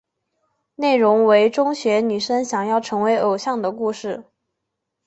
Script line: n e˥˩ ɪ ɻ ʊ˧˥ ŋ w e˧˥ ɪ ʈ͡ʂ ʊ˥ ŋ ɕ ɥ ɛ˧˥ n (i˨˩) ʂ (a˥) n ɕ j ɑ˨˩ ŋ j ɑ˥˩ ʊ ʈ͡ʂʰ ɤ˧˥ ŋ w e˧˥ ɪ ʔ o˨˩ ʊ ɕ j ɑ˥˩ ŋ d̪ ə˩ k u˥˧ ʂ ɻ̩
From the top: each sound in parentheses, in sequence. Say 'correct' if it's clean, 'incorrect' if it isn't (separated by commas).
incorrect, incorrect